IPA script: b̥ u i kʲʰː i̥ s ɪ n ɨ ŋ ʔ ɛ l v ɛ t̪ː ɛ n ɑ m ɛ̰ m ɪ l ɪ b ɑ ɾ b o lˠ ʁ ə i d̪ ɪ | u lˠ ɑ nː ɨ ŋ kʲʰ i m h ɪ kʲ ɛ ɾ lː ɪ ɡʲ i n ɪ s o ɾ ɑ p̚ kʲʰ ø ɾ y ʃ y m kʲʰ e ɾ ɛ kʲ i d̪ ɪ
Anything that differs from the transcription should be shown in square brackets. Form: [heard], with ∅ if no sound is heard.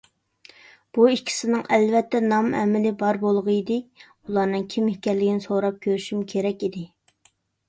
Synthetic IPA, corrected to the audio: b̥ u i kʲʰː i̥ s ɪ n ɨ ŋ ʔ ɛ l v ɛ t̪ː ɛ n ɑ m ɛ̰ m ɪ l ɪ b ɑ ɾ b o lˠ ʁ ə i d̪ ɪ | u lˠ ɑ [n] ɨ ŋ kʲʰ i m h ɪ kʲ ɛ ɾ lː ɪ ɡʲ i n ɪ s o ɾ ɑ p̚ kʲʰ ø ɾ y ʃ y m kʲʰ e ɾ ɛ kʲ i d̪ ɪ